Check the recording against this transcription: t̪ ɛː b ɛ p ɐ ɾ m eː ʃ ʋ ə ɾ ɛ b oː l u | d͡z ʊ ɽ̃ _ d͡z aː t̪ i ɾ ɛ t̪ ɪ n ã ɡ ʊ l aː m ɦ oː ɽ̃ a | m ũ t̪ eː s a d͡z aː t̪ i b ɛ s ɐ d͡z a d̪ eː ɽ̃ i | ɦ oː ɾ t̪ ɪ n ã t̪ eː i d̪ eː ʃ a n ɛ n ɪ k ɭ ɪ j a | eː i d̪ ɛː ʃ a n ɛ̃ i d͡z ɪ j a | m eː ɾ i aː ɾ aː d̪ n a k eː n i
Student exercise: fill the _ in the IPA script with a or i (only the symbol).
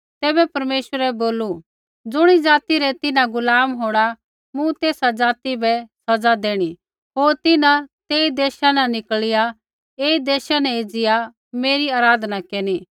i